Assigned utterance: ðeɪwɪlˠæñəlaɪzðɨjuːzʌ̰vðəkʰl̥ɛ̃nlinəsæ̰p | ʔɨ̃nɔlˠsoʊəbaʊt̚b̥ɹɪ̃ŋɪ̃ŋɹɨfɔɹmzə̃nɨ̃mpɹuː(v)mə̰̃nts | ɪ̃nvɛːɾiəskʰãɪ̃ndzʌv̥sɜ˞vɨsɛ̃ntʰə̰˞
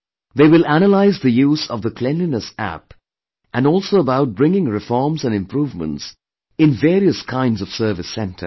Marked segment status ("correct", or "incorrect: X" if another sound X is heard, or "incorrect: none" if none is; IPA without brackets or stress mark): correct